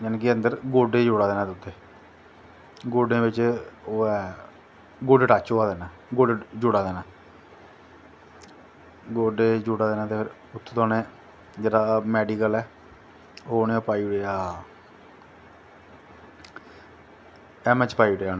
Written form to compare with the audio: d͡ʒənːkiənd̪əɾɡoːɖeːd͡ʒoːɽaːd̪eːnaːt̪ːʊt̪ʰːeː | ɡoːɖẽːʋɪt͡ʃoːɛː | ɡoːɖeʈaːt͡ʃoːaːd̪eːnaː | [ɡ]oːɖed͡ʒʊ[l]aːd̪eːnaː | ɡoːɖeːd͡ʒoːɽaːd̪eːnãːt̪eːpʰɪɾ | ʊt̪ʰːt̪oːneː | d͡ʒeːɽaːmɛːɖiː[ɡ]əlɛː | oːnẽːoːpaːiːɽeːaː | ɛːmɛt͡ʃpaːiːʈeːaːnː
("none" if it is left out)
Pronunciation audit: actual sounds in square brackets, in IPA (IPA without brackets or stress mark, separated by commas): ɡ, ɽ, k